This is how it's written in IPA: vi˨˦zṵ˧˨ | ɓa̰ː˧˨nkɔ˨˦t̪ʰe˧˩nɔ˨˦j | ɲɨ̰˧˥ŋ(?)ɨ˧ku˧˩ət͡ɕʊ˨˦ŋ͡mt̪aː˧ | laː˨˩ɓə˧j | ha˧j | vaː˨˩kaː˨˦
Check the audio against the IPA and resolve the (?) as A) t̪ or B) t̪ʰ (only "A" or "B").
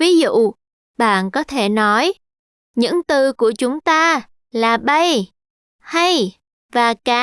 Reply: A